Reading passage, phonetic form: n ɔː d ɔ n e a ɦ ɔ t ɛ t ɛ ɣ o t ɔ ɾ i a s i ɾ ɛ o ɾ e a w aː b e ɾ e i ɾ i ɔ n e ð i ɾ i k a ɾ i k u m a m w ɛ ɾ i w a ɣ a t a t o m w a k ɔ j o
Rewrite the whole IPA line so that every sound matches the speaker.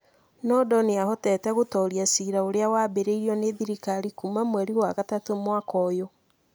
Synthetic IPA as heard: n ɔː d ɔ n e a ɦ ɔ t ɛ t ɛ ɣ o t ɔ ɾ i a s i ɾ a o ɾ e a w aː b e ɾ e i ɾ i ɔ n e ð i ɾ i k a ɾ i k u m a m w ɛ ɾ i w a ɣ a t a t o m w a k ɔ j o